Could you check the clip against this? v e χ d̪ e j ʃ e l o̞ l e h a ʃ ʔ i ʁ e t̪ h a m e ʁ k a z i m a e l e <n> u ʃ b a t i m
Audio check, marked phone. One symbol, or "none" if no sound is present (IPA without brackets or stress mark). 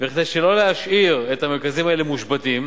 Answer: m